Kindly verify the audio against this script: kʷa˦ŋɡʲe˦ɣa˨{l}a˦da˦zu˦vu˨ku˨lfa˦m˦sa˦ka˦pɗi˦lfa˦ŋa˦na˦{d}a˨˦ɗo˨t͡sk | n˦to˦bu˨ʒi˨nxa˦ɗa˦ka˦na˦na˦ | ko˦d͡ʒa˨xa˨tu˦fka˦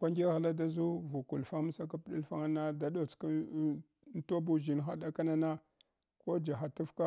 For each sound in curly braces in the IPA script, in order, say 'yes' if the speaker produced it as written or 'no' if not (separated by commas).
yes, yes